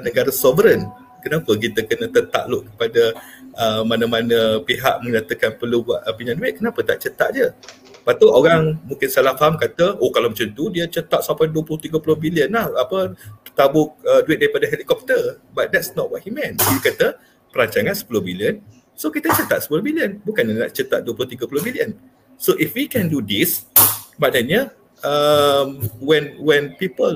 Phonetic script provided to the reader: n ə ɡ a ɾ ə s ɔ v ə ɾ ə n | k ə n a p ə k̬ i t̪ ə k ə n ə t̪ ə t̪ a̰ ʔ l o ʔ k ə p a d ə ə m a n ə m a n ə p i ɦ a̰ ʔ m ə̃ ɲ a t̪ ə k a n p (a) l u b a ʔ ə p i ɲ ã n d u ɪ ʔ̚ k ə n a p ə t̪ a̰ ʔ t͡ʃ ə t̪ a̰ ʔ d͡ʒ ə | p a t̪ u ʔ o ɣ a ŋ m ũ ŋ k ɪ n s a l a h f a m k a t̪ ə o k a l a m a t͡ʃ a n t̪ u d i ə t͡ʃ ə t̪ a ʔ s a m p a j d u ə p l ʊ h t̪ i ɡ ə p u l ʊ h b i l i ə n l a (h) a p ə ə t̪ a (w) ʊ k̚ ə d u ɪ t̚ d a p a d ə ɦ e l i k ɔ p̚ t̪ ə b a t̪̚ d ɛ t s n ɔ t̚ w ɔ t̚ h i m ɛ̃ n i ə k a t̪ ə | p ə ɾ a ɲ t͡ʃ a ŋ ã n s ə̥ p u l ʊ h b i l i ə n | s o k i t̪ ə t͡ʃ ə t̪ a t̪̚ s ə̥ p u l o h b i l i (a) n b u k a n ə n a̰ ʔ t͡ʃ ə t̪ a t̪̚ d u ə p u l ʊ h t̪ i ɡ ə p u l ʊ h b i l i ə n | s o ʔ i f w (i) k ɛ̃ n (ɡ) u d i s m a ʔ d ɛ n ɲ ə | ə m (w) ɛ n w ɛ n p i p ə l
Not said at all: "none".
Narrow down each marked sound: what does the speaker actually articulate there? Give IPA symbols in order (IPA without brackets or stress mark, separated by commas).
ə, h, b, ə, i, d, w